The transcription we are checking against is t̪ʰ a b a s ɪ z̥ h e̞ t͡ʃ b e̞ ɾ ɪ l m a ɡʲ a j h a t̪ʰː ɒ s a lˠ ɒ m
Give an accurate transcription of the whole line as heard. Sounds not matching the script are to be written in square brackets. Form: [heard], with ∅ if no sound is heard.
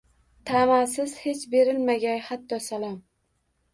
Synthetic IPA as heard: t̪ʰ a [m] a s ɪ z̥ h e̞ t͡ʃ b e̞ ɾ ɪ l m a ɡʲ a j h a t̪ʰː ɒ s a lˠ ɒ m